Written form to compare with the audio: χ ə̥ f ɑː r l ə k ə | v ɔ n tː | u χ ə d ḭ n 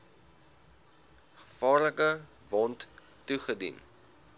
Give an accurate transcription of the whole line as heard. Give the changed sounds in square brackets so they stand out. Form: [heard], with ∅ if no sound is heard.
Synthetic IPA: χ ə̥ f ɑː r l ə k ə | v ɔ n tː | u χ ə d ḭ n